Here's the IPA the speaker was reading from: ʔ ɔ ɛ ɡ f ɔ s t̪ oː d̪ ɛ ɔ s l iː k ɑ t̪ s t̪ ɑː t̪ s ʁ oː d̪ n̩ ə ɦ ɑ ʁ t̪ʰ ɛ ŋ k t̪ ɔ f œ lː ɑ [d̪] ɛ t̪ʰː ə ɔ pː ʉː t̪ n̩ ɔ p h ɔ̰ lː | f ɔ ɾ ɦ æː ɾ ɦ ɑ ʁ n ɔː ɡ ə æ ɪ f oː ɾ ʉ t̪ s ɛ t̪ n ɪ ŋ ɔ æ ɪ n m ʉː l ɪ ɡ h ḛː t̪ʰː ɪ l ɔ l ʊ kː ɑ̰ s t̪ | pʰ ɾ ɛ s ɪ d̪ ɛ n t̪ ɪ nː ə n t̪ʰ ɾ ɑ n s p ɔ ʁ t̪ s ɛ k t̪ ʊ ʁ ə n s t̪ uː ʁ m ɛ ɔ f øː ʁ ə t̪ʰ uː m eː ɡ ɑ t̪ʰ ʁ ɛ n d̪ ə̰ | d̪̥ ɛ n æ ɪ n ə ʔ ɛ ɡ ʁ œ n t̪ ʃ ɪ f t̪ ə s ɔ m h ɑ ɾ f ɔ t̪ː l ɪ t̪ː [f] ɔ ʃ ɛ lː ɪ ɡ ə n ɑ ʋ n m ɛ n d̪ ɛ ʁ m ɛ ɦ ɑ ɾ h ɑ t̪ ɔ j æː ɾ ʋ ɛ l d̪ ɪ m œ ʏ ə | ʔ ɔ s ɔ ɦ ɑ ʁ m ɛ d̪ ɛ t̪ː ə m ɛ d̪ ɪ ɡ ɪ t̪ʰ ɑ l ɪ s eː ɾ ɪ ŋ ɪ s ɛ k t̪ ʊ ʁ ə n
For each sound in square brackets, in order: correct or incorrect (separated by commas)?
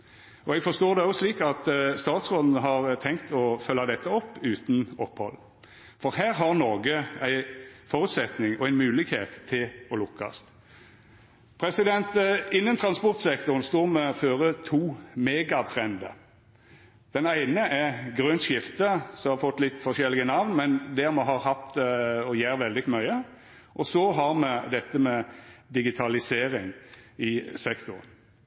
correct, correct